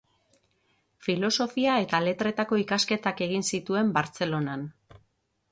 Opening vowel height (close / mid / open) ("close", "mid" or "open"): close